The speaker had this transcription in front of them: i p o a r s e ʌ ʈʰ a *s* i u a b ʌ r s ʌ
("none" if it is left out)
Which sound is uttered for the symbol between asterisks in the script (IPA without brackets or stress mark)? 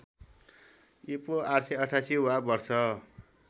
s